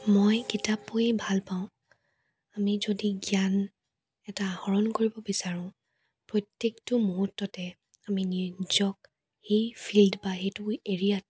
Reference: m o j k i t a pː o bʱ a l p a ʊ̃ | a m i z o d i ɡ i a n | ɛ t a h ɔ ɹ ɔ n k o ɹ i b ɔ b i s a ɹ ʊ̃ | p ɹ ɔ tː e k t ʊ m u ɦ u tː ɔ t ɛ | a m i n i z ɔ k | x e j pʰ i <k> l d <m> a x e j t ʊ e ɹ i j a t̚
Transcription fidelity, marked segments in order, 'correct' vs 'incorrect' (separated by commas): incorrect, incorrect